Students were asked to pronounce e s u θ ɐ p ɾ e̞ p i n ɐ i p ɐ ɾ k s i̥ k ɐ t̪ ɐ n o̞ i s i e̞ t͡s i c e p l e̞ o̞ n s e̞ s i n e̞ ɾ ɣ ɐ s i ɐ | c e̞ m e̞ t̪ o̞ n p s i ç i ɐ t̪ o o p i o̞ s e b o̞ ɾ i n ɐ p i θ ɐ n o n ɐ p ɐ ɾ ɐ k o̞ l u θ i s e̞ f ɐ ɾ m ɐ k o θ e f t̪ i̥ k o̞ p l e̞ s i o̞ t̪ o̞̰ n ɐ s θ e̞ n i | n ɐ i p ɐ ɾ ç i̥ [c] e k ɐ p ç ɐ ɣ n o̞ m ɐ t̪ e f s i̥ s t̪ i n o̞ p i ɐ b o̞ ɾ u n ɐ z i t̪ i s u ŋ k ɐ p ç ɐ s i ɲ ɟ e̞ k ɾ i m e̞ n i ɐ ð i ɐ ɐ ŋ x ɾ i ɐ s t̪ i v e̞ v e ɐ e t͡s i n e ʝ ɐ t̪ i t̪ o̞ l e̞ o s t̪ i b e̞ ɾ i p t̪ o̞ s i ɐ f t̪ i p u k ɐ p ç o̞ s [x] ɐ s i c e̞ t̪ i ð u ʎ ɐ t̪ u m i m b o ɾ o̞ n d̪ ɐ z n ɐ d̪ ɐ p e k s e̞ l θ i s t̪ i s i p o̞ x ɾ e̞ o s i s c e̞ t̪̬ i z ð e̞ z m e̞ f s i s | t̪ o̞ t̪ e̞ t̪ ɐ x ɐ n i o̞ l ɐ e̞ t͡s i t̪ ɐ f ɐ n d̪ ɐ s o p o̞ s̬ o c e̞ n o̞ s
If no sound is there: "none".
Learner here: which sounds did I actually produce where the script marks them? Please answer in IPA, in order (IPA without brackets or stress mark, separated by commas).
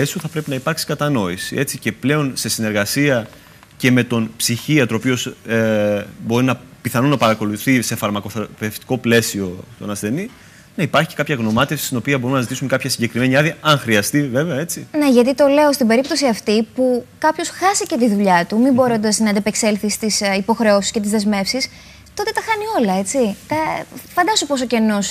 c, x